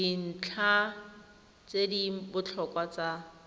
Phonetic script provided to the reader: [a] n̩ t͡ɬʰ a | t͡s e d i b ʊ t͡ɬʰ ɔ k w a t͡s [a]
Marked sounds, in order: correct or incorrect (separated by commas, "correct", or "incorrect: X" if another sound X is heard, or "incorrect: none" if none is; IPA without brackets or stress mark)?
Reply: incorrect: i, correct